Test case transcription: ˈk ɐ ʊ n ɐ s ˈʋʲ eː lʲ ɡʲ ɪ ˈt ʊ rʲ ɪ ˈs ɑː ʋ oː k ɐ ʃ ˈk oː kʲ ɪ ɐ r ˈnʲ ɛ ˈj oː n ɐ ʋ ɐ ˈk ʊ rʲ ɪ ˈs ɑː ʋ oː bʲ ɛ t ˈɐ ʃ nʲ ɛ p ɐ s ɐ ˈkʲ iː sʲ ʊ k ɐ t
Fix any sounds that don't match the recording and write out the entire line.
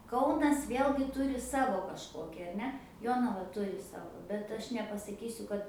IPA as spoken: ˈk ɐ ʊ n ɐ s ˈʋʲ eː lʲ ɡʲ ɪ ˈt ʊ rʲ ɪ ˈs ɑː ʋ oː k ɐ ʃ ˈk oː kʲ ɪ ɐ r ˈnʲ ɛ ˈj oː n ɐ ʋ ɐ ˈt ʊ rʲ ɪ ˈs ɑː ʋ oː bʲ ɛ t ˈɐ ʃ nʲ ɛ p ɐ s ɐ ˈkʲ iː sʲ ʊ k ɐ t